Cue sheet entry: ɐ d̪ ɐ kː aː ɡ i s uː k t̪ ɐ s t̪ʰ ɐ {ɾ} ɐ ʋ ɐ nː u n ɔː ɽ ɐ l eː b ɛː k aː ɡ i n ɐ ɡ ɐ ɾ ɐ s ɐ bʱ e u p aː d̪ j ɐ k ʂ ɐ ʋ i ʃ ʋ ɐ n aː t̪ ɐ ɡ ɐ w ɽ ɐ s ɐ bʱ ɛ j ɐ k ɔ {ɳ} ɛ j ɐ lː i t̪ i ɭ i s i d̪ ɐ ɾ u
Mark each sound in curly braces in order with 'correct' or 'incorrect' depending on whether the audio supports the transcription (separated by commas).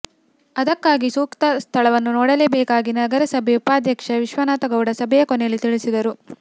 incorrect, incorrect